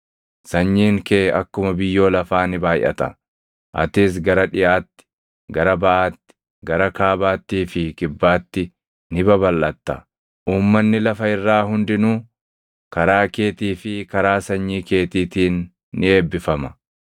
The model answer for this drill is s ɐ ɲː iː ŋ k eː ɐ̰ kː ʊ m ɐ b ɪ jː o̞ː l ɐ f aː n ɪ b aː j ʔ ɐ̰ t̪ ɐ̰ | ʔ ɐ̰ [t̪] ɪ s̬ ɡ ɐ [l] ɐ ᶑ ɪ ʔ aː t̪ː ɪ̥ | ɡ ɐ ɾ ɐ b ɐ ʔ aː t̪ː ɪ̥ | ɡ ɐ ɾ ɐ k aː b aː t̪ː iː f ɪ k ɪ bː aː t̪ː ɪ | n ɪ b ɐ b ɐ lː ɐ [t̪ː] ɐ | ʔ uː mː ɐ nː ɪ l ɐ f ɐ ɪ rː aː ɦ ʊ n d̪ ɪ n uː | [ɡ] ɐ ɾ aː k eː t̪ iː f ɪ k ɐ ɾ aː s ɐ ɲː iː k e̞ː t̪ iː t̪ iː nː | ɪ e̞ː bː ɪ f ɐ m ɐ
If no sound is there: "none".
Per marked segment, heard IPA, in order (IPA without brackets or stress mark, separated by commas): t̪, ɾ, t̪ː, k